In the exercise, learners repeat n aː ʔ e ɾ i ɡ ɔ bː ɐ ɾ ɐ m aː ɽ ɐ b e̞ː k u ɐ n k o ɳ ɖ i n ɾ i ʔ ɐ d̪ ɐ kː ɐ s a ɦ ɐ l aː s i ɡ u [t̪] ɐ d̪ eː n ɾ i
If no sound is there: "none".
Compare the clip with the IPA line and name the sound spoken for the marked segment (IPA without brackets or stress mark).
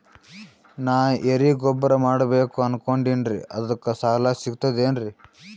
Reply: t̪